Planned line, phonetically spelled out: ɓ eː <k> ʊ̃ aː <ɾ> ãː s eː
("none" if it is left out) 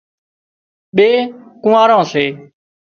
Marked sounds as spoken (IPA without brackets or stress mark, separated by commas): k, ɾ